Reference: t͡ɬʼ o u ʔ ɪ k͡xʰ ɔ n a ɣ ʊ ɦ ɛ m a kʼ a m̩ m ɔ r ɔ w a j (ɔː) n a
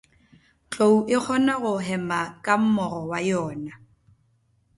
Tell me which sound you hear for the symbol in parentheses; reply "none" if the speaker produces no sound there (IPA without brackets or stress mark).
ɔː